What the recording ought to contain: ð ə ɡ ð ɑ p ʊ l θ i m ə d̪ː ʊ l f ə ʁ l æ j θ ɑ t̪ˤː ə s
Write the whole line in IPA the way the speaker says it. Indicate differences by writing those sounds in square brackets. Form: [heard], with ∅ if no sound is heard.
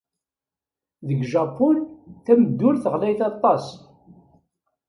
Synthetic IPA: ð ə ɡ [ʒ] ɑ p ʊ l θ [æ] m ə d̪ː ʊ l [θ] ə ʁ l æ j θ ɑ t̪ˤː [ɑ] s